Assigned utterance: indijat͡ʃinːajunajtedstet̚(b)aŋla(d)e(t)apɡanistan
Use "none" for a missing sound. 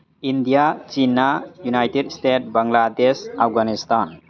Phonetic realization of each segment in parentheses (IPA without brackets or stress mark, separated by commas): b, d, s